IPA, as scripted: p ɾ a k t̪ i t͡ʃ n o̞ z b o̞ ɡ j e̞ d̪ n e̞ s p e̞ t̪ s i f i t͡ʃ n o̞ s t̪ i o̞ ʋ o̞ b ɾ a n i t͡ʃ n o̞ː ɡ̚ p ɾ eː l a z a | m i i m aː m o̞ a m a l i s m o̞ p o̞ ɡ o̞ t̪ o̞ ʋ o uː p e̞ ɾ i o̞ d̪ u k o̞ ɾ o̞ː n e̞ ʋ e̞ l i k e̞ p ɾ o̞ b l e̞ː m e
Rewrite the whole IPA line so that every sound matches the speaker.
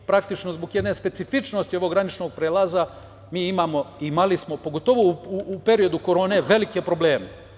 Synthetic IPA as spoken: p ɾ a k t̪ i t͡ʃ n o̞ z b o̞ ɡ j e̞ d̪ n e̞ s p e̞ t̪ s i f i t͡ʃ n o̞ s t̪ i o̞ ʋ o̞ ɡ ɾ a n i t͡ʃ n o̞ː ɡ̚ p ɾ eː l a z a | m iː i m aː m o̞ i m a l i s m o̞ p o̞ ɡ o̞ t̪ o̞ ʋ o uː p e̞ ɾ i o̞ d̪ u k o̞ ɾ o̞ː n e̞ ʋ e̞ l i k e̞ p ɾ o̞ b l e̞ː m e